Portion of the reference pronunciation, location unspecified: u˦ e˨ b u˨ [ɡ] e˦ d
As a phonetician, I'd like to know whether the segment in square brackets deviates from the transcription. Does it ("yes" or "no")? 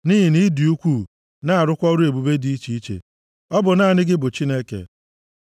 yes